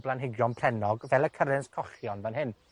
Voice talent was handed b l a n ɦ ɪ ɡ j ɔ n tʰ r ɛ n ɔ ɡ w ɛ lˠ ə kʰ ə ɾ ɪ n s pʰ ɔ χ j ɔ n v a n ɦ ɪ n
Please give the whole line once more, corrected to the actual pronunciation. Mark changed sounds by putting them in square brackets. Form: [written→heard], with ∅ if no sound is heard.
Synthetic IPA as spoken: b l a n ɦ ɪ ɡ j ɔ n [tʰ→pʰ] r ɛ n ɔ ɡ [w→v] ɛ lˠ ə kʰ ə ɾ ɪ n s [pʰ→kʰ] ɔ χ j ɔ n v a n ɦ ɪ n